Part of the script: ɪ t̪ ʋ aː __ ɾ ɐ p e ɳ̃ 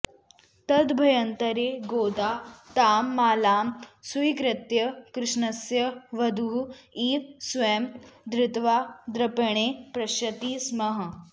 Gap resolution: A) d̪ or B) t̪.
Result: A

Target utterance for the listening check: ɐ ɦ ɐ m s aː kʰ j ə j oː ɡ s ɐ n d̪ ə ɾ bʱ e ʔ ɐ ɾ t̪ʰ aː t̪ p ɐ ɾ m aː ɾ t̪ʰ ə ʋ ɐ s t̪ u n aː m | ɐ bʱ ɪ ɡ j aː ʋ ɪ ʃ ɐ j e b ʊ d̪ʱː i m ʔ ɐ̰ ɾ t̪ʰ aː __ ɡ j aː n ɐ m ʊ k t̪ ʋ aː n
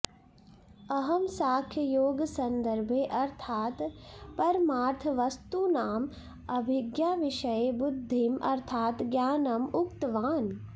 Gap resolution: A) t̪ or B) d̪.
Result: A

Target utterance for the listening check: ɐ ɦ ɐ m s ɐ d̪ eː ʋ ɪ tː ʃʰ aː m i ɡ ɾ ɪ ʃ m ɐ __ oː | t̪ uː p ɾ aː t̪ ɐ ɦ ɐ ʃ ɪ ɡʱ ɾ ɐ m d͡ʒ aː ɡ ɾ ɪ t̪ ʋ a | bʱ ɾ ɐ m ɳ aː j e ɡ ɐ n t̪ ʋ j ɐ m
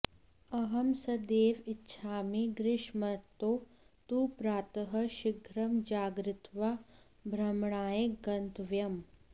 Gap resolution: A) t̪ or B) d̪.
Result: A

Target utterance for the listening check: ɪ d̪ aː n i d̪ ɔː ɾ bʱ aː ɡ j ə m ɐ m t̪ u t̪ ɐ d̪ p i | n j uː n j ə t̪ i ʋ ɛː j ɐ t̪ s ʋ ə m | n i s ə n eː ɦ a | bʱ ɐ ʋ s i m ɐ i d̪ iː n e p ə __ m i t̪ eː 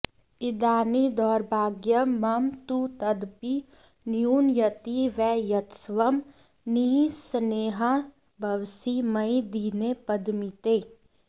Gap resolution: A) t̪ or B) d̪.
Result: B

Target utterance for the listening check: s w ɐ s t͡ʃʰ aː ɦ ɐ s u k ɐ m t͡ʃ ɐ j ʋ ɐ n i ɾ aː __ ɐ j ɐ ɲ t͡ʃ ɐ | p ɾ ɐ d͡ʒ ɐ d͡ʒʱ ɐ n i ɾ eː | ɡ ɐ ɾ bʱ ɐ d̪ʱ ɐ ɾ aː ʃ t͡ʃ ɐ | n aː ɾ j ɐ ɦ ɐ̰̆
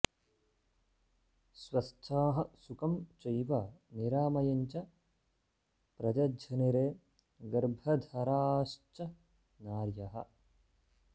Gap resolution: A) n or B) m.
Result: B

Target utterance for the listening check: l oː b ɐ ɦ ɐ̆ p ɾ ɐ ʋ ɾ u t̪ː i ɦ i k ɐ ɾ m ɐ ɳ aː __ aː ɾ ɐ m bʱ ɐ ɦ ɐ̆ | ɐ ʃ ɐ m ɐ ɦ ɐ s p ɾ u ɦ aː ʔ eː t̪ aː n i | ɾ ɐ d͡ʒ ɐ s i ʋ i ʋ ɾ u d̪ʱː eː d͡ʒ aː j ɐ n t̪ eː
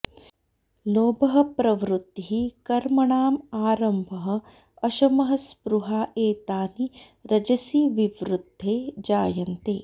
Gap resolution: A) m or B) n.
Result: A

